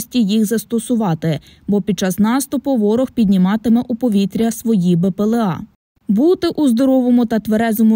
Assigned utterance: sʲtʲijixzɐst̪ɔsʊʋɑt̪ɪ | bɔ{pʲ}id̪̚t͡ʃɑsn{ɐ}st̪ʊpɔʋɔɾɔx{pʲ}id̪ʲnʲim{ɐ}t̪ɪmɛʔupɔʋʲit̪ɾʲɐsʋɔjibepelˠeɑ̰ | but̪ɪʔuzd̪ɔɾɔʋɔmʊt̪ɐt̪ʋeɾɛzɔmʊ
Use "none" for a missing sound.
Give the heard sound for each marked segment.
pʲ, ɑ, pʲ, ɑ

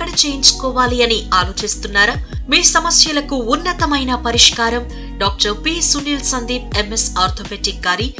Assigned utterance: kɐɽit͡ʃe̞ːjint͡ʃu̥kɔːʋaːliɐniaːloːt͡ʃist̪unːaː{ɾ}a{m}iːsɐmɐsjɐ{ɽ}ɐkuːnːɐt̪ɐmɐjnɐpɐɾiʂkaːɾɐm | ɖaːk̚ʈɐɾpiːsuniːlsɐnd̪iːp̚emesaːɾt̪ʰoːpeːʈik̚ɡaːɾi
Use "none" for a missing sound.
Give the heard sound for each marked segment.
ɾ, m, l

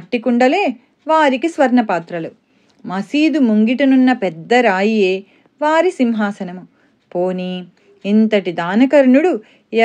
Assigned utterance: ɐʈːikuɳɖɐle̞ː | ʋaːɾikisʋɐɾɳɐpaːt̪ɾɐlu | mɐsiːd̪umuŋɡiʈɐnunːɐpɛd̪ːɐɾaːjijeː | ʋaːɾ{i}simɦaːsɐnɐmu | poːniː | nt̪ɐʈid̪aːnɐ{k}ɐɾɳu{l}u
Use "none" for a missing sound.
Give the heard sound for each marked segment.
i, k, ɽ

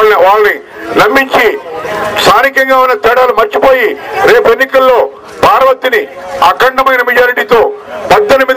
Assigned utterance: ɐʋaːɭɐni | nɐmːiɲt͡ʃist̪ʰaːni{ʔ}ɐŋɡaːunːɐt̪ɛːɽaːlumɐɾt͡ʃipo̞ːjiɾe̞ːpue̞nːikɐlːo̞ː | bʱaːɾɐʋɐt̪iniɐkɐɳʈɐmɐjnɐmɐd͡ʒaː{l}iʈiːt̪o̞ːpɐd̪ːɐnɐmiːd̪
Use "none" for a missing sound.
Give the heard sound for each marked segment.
k, ɾ

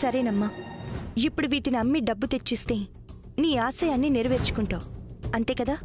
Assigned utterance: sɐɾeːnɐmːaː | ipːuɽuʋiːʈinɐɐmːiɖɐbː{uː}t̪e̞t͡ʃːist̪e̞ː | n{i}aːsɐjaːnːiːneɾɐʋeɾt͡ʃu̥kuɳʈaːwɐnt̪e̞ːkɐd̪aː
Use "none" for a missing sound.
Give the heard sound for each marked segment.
u, iː

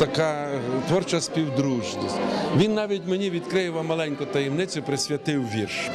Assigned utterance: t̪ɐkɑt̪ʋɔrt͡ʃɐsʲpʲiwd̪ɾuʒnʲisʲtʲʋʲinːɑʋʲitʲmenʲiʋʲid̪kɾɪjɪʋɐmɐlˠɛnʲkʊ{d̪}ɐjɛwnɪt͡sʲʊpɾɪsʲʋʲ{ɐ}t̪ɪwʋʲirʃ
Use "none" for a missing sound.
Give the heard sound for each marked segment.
t̪, ɐ

